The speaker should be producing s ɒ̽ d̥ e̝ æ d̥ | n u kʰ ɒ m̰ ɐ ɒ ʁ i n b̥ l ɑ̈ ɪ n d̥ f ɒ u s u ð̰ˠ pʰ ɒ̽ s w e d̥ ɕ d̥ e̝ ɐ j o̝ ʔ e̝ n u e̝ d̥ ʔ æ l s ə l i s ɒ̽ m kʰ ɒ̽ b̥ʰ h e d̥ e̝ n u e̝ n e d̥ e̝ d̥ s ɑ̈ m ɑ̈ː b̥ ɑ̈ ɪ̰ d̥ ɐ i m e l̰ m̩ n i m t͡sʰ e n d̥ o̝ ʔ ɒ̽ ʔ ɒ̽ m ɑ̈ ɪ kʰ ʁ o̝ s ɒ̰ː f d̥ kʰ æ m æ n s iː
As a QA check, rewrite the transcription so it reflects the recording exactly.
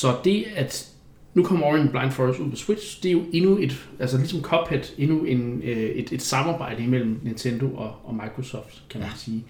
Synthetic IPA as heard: s ɒ̽ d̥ e̝ æ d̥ | n u kʰ ɒ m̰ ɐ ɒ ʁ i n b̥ l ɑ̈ ɪ n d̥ f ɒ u s u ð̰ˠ pʰ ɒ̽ s w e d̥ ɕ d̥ e̝ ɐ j o̝ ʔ e̝ n u e̝ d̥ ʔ æ l s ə l i s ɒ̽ m kʰ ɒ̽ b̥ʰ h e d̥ e̝ n u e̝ n e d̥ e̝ d̥ s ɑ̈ m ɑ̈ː b̥ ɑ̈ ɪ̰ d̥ ə i m e l̰ m̩ n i n t͡sʰ e n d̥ o̝ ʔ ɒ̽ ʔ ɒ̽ m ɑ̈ ɪ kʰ ʁ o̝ s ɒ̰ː f d̥ kʰ æ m æ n s iː